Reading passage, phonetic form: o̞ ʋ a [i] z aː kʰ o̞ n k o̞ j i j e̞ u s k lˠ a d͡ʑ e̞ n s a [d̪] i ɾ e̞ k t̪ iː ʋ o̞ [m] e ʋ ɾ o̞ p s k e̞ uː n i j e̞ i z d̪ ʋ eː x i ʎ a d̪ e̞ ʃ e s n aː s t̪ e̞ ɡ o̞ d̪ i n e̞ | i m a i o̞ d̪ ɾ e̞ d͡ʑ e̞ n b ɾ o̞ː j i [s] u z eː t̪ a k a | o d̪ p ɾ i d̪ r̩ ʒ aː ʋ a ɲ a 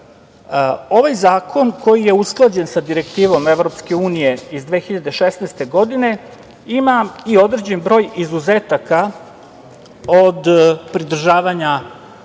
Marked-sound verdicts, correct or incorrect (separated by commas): incorrect, correct, correct, incorrect